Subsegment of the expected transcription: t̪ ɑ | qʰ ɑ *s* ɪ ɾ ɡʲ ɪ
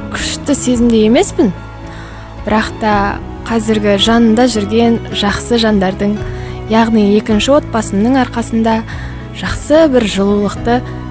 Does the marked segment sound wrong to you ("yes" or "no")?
yes